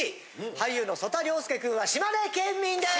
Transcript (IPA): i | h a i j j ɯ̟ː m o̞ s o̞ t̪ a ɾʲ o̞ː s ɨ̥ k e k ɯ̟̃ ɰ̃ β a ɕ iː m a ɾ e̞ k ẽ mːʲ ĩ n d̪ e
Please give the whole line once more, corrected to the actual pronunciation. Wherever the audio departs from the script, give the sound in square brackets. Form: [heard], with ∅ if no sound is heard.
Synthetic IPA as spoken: i | h a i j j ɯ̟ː [n] o̞ s o̞ t̪ a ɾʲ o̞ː s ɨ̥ k e k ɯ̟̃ ɰ̃ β a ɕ [i] m a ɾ e̞ k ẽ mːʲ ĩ n d̪ e